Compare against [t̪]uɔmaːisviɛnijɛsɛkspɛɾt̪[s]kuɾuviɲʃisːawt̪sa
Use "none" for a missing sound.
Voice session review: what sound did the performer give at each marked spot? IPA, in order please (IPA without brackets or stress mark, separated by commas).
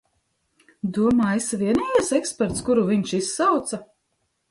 d̪, s